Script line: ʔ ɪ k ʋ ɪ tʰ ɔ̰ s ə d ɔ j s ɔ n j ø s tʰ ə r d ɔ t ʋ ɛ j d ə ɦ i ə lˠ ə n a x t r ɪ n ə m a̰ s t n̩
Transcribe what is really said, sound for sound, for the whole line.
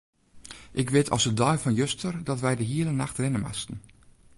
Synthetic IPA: ʔ ɪ k ʋ ɪ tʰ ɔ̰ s ə d ɔ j f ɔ n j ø s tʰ ə r d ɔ t ʋ ɛ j d ə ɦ i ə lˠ ə n a x t r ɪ n ə m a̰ s t n̩